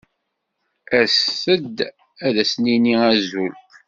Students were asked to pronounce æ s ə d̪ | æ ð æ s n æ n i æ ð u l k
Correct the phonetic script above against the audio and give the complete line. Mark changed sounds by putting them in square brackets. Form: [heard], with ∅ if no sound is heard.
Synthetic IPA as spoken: æ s ə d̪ | æ ð æ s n [i] n i æ [z] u l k